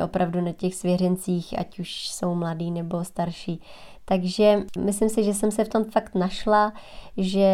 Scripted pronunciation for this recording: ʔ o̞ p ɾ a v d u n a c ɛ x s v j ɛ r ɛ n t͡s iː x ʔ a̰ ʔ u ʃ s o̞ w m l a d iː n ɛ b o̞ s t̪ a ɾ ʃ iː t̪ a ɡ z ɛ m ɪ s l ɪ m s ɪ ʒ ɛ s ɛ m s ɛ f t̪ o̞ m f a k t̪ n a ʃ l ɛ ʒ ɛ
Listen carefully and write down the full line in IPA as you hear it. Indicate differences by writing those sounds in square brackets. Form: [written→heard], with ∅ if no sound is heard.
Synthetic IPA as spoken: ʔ o̞ p ɾ a v d u n a c ɛ x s v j ɛ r ɛ n t͡s iː x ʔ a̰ [ʔ→c] u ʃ s o̞ w m l a d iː n ɛ b o̞ s t̪ a ɾ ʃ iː t̪ a ɡ [z→ʒ] ɛ m ɪ s l ɪ m s ɪ ʒ ɛ s ɛ m s ɛ f t̪ o̞ m f a k t̪ n a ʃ l [ɛ→a] ʒ ɛ